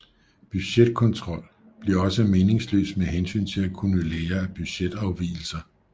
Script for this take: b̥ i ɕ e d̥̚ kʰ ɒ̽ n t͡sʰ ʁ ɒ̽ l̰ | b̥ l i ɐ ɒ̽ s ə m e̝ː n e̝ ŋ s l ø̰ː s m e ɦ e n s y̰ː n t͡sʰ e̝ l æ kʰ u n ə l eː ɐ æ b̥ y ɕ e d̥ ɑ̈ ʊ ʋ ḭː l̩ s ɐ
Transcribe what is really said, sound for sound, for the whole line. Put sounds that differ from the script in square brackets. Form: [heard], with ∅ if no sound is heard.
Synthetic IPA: b̥ [y] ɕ e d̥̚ kʰ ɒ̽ n t͡sʰ ʁ ɒ̽ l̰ | b̥ l i ɐ ɒ̽ s ə m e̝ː n e̝ ŋ s l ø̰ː s m e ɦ e n s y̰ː n t͡sʰ e̝ l æ kʰ u n ə l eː ɐ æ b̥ y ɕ e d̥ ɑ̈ ʊ ʋ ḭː l̩ s ɐ